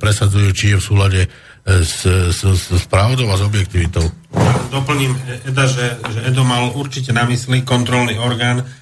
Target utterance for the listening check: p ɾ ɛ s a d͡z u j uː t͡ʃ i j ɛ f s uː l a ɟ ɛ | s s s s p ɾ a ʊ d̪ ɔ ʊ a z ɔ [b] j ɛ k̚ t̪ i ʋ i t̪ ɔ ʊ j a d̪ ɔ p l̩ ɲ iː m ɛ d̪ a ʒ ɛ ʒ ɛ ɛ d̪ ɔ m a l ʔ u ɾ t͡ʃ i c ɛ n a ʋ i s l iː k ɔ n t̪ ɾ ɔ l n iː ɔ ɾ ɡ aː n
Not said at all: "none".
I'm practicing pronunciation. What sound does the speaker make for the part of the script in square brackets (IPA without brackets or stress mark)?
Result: b